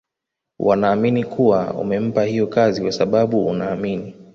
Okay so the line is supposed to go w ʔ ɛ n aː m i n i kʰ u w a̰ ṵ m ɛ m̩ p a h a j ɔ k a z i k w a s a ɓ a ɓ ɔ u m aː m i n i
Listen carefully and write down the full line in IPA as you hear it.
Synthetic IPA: w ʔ a n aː m i n i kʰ u w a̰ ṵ m ɛ m̩ p a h i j ɔ k a z i k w a s a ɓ a ɓ u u n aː m i n i